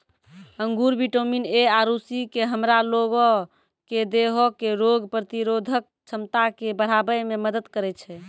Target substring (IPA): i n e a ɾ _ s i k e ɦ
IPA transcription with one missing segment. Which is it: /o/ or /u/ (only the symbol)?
u